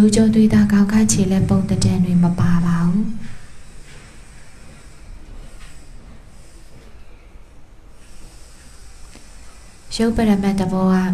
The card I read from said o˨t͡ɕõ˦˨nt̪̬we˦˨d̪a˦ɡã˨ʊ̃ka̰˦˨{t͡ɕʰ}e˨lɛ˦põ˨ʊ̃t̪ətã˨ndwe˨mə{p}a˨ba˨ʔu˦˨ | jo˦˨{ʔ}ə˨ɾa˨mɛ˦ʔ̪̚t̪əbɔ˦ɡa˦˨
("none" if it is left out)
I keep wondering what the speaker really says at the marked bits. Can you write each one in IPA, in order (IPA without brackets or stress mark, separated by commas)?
t͡ɕʰ, p, p